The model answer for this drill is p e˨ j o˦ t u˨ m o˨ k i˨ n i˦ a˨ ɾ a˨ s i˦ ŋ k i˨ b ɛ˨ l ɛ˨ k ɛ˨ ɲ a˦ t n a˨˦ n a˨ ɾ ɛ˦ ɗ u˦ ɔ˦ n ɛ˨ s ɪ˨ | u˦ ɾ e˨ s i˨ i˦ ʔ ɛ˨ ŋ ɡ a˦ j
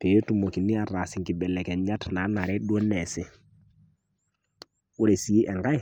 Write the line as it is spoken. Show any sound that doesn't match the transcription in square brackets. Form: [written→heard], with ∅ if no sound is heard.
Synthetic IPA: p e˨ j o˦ t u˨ m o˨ k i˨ n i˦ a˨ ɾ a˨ s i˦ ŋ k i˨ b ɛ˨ l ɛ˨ k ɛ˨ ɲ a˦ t n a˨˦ n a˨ ɾ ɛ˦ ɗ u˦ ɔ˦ n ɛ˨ s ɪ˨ | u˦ ɾ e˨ s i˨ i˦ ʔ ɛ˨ ŋ ɡ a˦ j